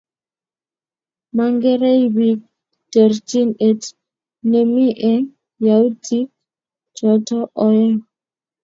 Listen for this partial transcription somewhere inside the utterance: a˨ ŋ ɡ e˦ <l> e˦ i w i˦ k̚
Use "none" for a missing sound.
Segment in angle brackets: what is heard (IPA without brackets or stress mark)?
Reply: ɾ